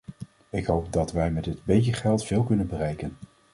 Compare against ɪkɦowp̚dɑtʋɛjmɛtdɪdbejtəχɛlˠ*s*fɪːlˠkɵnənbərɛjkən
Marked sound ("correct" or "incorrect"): incorrect